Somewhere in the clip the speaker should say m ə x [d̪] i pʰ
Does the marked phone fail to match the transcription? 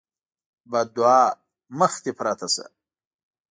yes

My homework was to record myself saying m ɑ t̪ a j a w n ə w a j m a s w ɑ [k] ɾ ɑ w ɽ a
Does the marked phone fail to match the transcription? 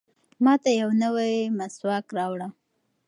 no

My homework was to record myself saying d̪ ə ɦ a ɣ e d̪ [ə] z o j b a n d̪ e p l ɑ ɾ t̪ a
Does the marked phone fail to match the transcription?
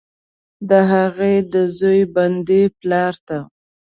no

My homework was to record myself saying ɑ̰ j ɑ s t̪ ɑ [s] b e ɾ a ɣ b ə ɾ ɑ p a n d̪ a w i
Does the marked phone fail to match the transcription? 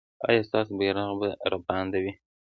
no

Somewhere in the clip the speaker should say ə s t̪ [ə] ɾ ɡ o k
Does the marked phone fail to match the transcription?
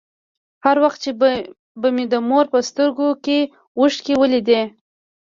no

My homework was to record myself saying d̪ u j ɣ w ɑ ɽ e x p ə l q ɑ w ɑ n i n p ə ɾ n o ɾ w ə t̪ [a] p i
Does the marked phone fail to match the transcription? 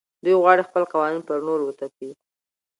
no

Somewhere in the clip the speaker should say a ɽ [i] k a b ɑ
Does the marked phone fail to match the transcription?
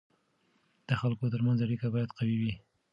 no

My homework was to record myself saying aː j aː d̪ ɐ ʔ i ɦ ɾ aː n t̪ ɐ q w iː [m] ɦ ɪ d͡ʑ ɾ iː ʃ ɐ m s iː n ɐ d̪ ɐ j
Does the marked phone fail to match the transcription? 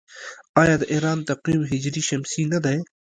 no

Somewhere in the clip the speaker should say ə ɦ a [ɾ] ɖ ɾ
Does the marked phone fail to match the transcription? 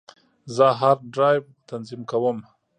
no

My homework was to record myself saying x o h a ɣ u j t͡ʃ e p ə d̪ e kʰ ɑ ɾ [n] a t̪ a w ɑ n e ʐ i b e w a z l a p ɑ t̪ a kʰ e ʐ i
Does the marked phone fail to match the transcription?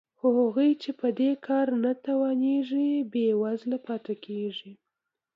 no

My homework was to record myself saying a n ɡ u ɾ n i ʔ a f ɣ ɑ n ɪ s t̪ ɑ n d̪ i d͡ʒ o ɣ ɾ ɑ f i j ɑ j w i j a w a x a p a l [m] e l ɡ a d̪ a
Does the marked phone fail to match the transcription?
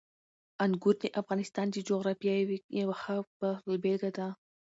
yes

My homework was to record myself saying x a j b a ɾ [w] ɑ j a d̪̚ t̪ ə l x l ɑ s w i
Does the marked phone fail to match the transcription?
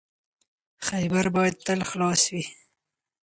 yes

